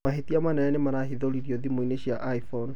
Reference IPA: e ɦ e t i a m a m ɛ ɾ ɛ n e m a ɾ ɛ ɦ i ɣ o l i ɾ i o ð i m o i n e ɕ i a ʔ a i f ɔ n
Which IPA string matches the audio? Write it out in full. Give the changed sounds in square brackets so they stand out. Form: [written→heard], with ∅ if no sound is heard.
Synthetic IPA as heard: [e→a] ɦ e t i a m a [m→n] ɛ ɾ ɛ n e m a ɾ [ɛ→a] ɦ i [ɣ→ð] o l i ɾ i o ð i m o i n e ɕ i a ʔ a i f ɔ n